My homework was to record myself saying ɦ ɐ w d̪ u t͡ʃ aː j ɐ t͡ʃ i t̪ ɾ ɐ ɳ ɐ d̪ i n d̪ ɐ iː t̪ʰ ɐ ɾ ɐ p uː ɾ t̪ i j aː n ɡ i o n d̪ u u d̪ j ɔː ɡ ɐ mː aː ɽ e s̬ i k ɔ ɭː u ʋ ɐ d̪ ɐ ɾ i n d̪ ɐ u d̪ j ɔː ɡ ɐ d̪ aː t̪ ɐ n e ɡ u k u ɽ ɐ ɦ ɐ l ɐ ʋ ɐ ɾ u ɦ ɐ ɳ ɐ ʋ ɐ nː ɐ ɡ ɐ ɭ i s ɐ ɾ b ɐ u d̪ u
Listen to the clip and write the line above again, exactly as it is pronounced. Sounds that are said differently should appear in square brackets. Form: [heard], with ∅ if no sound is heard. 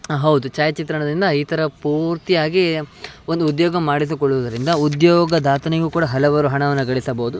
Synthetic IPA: ɦ ɐ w d̪ u t͡ʃ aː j ɐ t͡ʃ i t̪ ɾ ɐ ɳ ɐ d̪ i n d̪ ɐ iː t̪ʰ ɐ ɾ ɐ p uː ɾ t̪ i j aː [∅] ɡ i o n d̪ u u d̪ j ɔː ɡ ɐ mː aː ɽ [i] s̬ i k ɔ ɭː u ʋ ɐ d̪ ɐ ɾ i n d̪ ɐ u d̪ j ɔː ɡ ɐ d̪ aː t̪ ɐ n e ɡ u k [uː] ɽ ɐ ɦ ɐ l ɐ ʋ ɐ ɾ u ɦ ɐ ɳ ɐ ʋ ɐ nː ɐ ɡ ɐ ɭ i s ɐ [∅] b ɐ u d̪ u